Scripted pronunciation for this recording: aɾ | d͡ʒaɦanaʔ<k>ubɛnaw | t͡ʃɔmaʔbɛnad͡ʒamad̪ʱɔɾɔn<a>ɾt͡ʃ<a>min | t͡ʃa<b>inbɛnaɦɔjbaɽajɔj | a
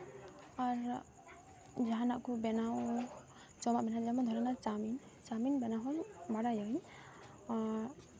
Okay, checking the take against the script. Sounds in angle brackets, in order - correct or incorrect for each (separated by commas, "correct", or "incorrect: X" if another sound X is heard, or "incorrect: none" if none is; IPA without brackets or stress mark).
correct, correct, correct, incorrect: m